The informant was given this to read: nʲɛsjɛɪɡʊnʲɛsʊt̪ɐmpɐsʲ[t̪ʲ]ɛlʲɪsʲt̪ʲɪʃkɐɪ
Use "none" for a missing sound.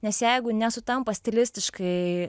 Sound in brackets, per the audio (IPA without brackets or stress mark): t̪ʲ